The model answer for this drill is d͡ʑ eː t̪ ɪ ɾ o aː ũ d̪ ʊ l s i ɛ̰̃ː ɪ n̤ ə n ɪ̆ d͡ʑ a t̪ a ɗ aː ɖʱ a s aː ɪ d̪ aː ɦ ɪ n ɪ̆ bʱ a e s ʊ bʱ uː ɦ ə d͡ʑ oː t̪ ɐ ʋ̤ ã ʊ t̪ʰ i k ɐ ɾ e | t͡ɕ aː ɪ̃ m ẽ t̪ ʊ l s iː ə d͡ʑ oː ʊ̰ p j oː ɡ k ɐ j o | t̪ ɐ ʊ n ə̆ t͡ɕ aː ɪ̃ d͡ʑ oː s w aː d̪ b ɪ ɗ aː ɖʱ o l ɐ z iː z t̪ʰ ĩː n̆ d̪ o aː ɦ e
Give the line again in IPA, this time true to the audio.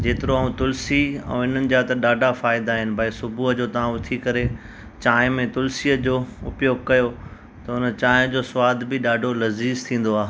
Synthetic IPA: d͡ʑ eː t̪ ɪ ɾ o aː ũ t̪ ʊ l s i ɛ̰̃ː ɪ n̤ ə n ɪ̆ d͡ʑ a t̪ ɐ ɗ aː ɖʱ a f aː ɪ d̪ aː ɦ ɪ n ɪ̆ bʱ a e s ʊ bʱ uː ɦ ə d͡ʑ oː t̪ ɐ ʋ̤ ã ʊ t̪ʰ i k ɐ ɾ e | t͡ɕ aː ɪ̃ m ẽ t̪ ʊ l s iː ə d͡ʑ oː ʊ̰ p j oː ɡ k ɐ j o | t̪ ɐ ʊ n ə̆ t͡ɕ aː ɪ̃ d͡ʑ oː s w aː d̪ b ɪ ɗ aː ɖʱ o l ɐ z iː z t̪ʰ ĩː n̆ d̪ o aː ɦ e